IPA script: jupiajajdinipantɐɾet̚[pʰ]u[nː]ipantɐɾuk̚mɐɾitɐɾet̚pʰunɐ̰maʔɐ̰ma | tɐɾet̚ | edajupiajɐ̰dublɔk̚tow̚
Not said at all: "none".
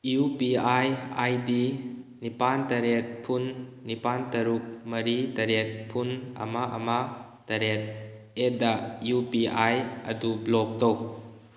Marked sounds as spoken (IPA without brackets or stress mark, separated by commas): pʰ, nː